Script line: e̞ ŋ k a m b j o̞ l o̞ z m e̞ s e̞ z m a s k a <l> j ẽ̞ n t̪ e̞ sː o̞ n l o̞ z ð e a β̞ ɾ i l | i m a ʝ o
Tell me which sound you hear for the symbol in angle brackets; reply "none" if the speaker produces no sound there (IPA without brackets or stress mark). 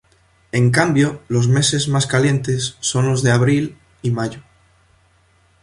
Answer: l